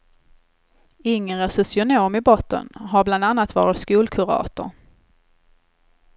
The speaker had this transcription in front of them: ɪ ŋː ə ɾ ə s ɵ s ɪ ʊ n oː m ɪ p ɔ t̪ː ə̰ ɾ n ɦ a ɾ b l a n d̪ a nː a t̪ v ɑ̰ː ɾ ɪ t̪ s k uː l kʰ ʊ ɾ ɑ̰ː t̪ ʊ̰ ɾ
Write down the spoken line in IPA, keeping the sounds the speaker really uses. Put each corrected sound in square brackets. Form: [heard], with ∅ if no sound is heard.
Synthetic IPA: ɪ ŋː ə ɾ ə s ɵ s ɪ ʊ n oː m ɪ [b] ɔ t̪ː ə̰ [∅] n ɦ a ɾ b l a n d̪ a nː a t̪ v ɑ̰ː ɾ ɪ t̪ s k uː l kʰ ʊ ɾ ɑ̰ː t̪ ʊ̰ ɾ